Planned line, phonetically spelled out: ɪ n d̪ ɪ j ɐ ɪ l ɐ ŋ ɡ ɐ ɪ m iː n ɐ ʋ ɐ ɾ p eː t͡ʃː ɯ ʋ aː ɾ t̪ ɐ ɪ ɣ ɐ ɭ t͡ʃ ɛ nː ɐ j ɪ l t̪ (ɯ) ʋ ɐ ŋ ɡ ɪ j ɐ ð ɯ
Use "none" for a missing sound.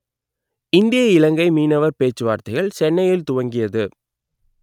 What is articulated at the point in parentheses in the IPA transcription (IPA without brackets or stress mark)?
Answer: ʊ